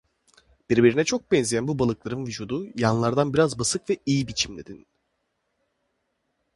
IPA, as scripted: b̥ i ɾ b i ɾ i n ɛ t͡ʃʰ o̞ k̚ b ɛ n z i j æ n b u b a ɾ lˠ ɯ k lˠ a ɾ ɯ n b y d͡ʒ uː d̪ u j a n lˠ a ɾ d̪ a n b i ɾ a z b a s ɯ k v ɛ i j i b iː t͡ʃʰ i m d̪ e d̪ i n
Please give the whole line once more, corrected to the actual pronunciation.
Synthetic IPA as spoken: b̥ i ɾ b i ɾ i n ɛ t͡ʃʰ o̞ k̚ b ɛ n z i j æ n b u b a lˠ ɯ k lˠ a ɾ ɯ n v y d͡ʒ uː d̪ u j a n lˠ a ɾ d̪ a n b i ɾ a z b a s ɯ k v ɛ i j i b i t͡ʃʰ i m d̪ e d̪ i n